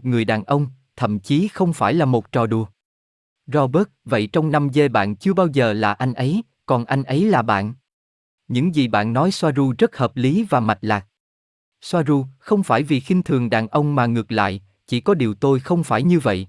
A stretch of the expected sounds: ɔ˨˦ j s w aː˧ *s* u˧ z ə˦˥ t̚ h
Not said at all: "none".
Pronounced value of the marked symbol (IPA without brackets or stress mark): z